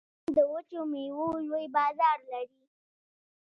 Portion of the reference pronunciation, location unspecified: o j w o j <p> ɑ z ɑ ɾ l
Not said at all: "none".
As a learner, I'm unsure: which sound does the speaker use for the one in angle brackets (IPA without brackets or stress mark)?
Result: b